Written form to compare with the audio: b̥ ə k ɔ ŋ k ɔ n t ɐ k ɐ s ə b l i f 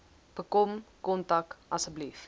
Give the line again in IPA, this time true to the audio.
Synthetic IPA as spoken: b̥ ə k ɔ m k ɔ n t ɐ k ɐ s ə b l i f